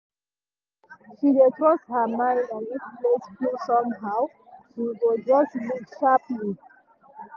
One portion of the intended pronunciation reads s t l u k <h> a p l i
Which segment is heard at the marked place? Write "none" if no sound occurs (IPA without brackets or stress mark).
ʃ